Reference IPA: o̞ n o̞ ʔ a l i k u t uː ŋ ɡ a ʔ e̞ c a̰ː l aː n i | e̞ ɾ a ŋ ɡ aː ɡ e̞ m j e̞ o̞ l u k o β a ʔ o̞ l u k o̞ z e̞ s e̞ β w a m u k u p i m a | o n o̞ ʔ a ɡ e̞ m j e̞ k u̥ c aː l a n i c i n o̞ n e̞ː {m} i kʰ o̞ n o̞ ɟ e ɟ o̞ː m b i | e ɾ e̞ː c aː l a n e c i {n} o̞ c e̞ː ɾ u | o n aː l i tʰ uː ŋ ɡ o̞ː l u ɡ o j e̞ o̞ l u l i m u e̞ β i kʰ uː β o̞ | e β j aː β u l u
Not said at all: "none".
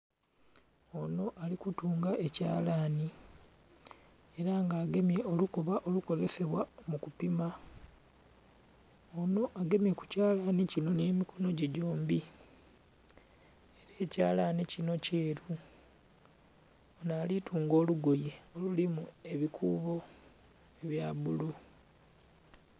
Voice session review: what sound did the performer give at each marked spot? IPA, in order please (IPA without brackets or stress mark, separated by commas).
m, n